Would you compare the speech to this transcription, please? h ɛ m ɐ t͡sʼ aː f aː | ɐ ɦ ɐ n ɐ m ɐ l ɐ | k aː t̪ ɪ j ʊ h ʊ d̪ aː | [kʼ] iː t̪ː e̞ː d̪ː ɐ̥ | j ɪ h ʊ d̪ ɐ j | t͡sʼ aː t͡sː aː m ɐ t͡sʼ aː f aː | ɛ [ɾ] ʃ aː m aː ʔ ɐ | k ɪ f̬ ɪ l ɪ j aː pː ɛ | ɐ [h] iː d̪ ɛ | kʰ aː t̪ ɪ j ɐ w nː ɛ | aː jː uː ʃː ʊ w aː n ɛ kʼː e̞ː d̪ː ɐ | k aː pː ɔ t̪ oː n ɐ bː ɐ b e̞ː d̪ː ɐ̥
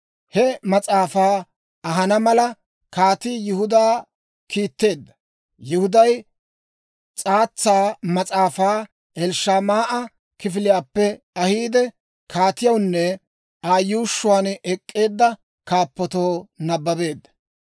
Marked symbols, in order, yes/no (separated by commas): no, no, yes